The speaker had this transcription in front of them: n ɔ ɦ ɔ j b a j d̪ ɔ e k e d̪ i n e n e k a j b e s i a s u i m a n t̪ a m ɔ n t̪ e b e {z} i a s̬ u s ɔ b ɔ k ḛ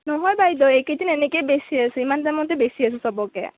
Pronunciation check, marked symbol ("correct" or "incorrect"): incorrect